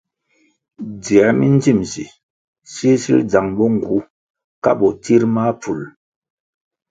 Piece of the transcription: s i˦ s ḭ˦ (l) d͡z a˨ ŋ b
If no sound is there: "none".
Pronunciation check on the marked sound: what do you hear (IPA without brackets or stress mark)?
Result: l